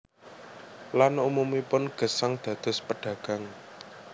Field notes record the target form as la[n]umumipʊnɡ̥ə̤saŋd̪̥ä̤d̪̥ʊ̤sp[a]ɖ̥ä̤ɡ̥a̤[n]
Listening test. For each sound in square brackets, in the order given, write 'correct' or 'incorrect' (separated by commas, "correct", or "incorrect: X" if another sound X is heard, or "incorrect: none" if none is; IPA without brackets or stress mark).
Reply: correct, incorrect: ə, incorrect: ŋ